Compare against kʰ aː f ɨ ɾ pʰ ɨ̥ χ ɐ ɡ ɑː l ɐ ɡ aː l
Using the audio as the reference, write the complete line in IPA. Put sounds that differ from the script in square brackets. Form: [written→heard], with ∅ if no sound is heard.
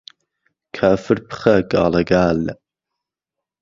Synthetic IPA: kʰ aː f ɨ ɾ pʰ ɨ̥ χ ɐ ɡ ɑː l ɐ ɡ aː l

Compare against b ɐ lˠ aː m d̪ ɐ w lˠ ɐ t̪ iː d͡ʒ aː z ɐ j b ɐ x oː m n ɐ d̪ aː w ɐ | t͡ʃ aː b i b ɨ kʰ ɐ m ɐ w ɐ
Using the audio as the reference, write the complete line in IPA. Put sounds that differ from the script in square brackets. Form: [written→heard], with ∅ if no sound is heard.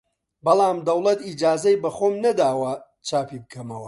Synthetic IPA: b ɐ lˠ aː m d̪ ɐ w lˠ ɐ t̪ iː d͡ʒ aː z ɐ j b ɐ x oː m n ɐ d̪ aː w ɐ | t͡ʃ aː [b→p] i b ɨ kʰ ɐ m ɐ w ɐ

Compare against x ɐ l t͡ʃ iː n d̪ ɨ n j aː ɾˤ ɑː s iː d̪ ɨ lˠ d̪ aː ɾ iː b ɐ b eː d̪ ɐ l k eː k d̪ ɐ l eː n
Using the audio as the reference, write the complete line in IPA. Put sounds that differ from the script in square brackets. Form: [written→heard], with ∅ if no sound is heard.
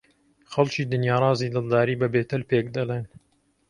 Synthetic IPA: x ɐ l t͡ʃ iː [n→∅] d̪ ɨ n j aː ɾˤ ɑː [s→z] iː d̪ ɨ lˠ d̪ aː ɾ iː b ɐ b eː [d̪→t̪] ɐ l [k→p] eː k d̪ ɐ l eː n

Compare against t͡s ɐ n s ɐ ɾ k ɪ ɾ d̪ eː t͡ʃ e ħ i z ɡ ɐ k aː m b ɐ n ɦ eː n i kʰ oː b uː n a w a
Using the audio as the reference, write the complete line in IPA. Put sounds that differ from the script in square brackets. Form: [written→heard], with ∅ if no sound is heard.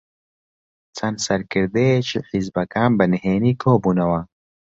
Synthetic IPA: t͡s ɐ n s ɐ ɾ k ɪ ɾ d̪ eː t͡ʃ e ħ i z [ɡ→b] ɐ k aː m b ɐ n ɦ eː n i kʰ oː b [uː→u] n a w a

